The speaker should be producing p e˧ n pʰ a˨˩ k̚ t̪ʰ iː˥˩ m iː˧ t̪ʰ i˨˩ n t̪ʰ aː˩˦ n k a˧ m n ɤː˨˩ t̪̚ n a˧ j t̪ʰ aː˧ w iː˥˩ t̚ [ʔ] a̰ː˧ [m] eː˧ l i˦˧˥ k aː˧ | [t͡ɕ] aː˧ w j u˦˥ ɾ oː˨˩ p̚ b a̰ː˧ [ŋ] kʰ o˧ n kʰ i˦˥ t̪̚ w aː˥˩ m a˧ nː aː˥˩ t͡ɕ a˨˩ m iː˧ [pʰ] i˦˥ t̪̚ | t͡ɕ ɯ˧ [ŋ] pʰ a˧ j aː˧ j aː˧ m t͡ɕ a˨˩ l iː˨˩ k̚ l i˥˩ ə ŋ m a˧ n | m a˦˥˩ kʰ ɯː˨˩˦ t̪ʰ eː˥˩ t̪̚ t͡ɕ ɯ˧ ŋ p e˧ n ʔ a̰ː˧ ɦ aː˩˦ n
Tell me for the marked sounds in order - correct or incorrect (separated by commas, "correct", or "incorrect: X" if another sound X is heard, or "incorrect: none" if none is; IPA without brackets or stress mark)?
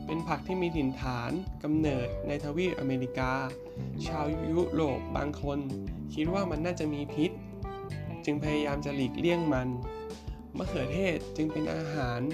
correct, correct, incorrect: t͡ɕʰ, correct, correct, correct